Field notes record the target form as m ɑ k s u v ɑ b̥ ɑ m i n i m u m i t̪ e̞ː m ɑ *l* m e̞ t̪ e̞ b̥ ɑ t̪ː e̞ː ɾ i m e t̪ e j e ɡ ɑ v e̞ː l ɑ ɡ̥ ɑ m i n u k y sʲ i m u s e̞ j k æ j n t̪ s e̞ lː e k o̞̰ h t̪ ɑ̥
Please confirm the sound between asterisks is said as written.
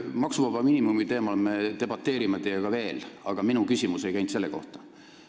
yes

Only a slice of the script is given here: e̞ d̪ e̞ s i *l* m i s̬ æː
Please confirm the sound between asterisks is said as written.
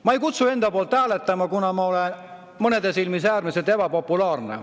yes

